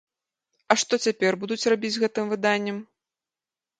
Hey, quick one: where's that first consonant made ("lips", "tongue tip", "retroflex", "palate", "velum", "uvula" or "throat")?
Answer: retroflex